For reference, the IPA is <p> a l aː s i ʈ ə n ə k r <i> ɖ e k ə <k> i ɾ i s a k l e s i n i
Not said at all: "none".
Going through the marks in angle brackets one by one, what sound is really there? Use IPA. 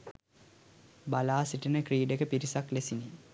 b, iː, p

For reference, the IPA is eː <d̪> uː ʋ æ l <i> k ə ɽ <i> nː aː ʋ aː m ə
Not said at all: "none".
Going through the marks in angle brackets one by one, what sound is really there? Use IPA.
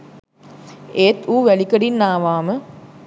t̪, i, i

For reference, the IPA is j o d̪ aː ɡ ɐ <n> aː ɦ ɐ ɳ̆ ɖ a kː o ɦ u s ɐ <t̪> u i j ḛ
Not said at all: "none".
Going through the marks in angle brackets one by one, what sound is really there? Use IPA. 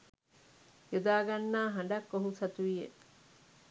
nː, t̪

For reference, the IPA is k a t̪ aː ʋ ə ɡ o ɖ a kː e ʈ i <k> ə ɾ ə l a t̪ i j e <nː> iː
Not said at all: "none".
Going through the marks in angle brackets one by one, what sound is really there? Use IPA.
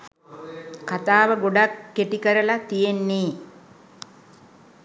k, nː

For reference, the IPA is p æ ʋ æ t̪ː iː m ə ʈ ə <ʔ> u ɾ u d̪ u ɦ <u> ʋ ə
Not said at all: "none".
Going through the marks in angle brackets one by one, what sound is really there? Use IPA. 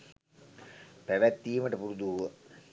p, u

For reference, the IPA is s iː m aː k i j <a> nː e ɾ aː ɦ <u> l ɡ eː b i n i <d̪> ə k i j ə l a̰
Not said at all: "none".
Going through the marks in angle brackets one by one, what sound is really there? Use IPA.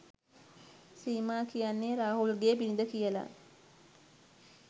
a, u, d̪

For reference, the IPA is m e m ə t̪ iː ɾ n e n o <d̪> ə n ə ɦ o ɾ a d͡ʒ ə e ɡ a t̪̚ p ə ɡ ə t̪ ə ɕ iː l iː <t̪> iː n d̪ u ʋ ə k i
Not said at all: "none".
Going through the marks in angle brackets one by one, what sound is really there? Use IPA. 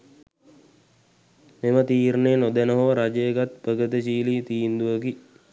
d̪, t̪

